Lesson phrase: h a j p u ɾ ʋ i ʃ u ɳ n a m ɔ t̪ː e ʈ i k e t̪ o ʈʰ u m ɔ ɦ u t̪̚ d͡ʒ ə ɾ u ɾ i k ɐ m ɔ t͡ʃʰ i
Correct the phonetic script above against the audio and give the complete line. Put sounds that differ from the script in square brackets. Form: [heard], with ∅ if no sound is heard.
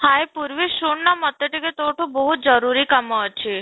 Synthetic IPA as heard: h a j p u ɾ ʋ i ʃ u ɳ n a m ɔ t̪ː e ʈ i k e t̪ o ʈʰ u [b] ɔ ɦ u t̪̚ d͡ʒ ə ɾ u ɾ i k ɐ m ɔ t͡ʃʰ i